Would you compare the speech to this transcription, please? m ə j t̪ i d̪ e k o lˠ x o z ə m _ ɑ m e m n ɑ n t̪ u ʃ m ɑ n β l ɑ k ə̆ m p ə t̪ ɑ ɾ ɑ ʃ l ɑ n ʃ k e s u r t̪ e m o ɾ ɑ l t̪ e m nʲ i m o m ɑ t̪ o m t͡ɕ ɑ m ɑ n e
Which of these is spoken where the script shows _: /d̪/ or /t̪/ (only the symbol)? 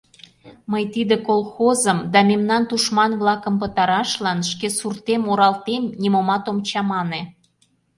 d̪